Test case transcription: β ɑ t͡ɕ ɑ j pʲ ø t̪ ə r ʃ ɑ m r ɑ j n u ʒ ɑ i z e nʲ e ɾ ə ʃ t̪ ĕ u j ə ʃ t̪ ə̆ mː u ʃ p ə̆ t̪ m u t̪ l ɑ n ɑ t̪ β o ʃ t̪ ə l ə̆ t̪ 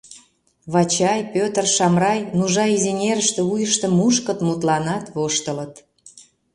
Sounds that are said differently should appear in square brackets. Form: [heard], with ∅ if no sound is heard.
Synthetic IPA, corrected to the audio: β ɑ t͡ɕ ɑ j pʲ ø t̪ ə r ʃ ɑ m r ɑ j n u ʒ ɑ i z e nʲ e ɾ ə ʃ t̪ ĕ u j ə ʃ t̪ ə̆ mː u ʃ [k] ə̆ t̪ m u t̪ l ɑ n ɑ t̪ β o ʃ t̪ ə l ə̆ t̪